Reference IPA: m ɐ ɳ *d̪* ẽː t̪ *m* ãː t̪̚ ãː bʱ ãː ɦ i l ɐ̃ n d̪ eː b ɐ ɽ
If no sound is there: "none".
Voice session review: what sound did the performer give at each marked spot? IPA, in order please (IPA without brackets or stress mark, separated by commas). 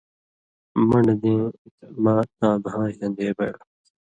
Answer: d̪, m